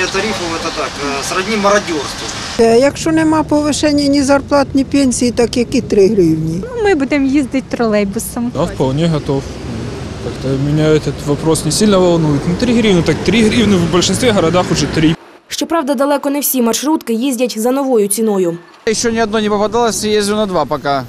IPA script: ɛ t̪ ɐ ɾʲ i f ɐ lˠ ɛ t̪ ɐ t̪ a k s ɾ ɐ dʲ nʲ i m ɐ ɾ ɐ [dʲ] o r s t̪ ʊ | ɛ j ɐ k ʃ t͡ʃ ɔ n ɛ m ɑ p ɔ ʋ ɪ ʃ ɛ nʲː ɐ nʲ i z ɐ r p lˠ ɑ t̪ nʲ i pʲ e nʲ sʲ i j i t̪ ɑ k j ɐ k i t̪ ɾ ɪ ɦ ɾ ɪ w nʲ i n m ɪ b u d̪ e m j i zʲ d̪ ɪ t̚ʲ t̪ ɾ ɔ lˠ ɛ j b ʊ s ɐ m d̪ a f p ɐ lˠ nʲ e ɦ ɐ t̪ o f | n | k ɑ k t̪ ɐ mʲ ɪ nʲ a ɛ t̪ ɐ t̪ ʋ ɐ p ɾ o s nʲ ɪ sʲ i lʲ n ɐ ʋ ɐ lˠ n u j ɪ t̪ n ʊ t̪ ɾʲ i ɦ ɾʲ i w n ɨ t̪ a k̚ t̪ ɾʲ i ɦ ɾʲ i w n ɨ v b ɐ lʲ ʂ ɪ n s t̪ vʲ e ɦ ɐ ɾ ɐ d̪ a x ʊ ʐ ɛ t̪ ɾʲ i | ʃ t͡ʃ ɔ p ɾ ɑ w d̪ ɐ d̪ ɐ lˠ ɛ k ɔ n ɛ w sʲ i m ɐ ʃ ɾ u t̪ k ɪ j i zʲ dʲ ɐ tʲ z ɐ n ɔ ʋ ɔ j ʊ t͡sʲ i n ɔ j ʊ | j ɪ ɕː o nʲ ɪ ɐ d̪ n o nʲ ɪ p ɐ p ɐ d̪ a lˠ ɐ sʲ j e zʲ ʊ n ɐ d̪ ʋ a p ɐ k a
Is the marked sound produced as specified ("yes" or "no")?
yes